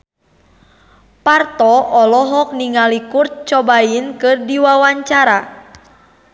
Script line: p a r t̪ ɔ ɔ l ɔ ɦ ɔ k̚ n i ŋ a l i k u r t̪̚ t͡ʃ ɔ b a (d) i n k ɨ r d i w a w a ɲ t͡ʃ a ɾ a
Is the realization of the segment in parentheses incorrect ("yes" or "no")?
yes